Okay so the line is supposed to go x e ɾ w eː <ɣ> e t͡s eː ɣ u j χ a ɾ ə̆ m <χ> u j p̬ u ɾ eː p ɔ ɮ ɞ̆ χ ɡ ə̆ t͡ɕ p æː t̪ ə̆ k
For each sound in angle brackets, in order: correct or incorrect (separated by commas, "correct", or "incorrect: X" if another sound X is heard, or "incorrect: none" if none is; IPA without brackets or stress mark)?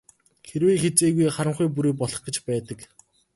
incorrect: x, correct